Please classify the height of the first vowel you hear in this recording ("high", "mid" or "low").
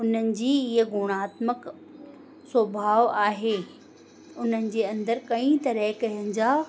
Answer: high